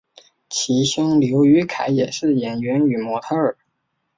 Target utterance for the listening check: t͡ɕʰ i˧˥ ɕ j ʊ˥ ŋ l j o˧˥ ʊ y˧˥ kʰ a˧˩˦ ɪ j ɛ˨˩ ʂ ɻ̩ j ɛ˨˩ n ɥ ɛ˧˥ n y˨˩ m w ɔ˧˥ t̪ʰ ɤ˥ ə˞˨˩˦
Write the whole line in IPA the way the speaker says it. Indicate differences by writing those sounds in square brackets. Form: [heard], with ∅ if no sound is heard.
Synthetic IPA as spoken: t͡ɕʰ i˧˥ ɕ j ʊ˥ ŋ l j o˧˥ ʊ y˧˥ kʰ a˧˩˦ ɪ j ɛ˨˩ ʂ ɻ̩ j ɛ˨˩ n ɥ ɛ˧˥ n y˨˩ m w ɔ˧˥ t̪ʰ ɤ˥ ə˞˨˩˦